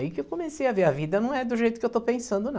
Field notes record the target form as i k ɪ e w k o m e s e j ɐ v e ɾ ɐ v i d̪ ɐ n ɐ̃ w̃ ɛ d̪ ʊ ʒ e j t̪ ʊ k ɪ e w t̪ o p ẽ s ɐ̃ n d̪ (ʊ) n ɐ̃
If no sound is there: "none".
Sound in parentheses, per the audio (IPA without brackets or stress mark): ʊ